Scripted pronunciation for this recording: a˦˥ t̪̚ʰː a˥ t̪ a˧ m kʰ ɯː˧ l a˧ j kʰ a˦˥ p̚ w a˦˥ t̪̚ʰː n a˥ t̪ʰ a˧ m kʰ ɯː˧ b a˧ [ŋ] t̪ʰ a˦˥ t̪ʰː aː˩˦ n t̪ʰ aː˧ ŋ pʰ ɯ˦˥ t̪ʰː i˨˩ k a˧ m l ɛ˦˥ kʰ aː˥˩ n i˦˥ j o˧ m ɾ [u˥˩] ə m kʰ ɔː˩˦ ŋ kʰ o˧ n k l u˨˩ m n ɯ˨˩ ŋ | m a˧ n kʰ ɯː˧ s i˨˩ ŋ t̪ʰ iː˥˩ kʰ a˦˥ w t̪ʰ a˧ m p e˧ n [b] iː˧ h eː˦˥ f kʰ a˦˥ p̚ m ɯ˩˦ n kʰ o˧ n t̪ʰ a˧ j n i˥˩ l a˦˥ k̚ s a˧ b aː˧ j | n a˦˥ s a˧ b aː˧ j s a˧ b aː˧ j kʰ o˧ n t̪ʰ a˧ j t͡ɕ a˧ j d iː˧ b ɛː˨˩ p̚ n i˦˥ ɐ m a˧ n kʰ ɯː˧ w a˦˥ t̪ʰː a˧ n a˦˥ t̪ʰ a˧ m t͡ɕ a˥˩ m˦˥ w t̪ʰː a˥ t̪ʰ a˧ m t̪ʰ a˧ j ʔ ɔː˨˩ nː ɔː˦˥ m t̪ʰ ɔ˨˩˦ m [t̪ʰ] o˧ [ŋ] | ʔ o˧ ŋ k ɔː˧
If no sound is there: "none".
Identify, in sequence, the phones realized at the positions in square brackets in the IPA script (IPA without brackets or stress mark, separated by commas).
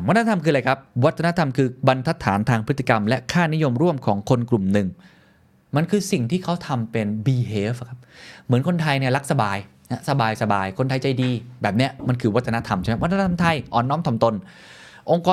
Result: n, u˥˩, b, t̪, n